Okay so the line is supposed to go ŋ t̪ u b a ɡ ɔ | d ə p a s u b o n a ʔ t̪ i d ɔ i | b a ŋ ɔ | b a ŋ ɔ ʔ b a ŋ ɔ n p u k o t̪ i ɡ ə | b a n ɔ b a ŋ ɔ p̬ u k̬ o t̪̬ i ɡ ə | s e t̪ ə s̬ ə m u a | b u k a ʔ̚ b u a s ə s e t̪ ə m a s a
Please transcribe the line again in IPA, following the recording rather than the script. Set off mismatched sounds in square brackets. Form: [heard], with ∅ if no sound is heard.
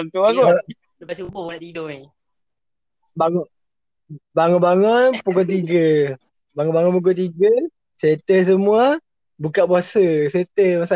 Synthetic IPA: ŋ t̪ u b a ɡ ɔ | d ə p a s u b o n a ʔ t̪ i d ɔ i | b a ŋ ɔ | b a ŋ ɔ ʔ b a ŋ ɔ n p u k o t̪ i ɡ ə | b a [ŋ] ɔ b a ŋ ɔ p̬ u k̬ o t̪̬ i ɡ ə | s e t̪ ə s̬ ə m u a | b u k a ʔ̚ b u a s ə s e t̪ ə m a s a